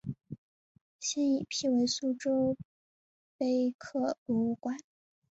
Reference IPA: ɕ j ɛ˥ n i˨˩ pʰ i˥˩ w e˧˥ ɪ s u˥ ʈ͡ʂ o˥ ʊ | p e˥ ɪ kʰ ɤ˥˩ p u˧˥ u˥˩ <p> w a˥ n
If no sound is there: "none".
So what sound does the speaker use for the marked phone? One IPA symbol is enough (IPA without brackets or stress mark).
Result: k